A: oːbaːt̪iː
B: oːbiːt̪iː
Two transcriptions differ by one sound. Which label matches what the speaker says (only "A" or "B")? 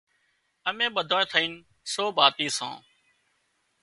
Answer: A